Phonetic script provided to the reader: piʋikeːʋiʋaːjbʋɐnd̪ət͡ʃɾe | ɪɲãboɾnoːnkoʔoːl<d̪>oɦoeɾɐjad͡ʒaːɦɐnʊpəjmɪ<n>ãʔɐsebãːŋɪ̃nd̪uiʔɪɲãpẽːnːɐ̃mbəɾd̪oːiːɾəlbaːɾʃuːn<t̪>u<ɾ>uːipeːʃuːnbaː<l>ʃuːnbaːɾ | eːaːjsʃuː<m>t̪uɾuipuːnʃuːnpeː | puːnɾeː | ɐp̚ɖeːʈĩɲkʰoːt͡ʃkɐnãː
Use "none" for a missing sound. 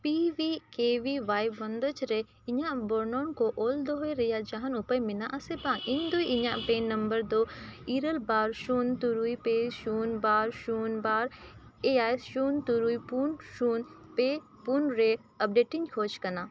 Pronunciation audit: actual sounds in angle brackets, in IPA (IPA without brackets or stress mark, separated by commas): d̪, n, t̪, ɾ, ɾ, n